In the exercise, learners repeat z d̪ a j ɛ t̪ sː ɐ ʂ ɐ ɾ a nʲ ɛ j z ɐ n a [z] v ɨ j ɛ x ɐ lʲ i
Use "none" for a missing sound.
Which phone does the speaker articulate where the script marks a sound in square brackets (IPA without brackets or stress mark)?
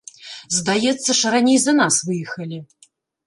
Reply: s